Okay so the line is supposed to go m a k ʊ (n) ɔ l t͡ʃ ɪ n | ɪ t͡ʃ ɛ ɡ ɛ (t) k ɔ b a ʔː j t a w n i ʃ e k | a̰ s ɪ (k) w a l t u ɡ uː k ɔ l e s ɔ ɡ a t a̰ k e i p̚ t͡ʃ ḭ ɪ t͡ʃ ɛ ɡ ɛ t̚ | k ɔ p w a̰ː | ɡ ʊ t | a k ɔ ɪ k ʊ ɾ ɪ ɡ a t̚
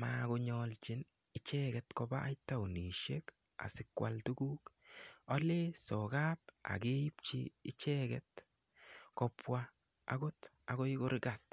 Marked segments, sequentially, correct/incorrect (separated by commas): incorrect, correct, correct